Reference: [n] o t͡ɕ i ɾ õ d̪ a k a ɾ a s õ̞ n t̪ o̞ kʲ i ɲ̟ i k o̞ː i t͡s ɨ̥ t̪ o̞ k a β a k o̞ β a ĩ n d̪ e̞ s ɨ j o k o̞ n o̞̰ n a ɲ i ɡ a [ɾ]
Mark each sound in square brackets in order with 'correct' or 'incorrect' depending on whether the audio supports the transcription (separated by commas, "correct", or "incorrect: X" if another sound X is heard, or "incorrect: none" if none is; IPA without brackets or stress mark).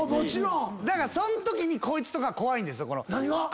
incorrect: m, incorrect: none